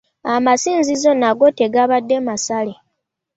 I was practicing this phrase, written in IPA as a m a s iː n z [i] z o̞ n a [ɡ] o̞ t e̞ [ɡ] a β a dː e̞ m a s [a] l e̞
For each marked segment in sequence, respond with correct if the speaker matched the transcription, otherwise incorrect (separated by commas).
correct, correct, correct, correct